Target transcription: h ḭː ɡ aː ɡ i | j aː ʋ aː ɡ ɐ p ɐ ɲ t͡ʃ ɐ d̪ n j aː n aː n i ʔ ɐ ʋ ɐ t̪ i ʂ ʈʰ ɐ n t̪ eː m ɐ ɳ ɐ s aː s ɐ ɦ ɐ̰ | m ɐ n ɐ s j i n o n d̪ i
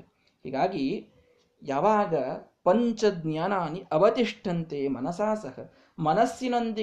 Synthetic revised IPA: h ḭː ɡ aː ɡ i | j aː ʋ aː ɡ ɐ p ɐ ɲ t͡ʃ ɐ d̪ n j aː n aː n i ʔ ɐ ʋ ɐ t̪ i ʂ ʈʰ ɐ n t̪ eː m ɐ n ɐ s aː s ɐ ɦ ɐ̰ | m ɐ n ɐ s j i n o n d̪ i